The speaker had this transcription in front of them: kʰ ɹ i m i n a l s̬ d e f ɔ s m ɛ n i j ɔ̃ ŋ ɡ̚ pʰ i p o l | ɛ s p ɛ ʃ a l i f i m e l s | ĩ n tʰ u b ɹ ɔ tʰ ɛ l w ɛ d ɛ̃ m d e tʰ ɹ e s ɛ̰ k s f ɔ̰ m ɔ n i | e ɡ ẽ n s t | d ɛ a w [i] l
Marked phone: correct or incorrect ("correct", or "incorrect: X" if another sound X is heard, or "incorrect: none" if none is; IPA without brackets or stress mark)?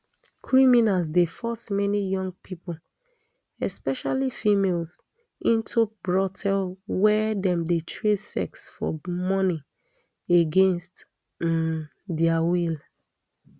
correct